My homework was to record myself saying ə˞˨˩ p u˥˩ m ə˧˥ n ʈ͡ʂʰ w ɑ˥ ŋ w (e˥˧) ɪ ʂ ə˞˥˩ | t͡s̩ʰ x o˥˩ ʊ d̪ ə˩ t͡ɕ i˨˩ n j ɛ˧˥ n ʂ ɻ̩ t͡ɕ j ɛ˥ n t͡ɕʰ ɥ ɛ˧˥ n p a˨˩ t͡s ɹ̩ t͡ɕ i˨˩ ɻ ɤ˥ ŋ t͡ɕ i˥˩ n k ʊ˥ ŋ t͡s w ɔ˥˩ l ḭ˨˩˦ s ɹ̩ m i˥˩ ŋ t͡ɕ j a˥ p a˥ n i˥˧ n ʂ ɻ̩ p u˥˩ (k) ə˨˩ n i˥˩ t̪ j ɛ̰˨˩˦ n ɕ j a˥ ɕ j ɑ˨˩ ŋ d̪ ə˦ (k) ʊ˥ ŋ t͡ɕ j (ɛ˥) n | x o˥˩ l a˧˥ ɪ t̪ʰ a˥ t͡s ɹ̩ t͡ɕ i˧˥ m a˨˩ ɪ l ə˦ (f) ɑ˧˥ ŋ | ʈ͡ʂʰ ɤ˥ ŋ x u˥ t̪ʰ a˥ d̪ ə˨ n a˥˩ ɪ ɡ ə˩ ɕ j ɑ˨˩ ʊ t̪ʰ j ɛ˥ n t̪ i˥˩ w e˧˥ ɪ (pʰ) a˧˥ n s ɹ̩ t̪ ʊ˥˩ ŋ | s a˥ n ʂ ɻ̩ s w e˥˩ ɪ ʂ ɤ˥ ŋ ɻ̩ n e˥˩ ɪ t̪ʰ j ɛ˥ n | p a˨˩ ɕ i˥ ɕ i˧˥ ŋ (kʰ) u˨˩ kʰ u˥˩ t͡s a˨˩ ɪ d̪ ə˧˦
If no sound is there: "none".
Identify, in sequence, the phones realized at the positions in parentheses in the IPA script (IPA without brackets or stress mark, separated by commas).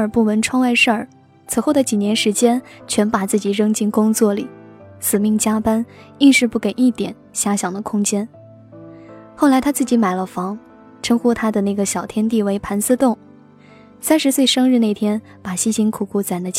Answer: a˥˧, k, kʰ, ɛ˥, f, pʰ, kʰ